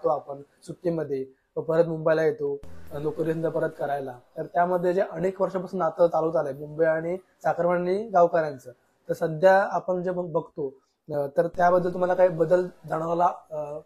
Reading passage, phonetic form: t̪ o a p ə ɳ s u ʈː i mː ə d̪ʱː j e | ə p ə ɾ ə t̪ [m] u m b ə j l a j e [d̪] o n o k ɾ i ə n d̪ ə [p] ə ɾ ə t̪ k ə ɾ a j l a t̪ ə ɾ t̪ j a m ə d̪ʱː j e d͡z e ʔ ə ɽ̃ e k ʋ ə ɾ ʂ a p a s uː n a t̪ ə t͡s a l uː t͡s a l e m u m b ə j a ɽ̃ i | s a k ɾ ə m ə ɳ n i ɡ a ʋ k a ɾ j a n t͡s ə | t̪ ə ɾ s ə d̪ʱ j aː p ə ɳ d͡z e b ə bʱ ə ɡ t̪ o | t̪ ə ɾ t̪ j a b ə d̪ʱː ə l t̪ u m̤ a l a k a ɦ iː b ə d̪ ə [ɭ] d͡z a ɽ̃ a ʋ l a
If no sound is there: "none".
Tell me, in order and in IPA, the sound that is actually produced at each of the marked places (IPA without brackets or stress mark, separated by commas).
m, t̪, p, l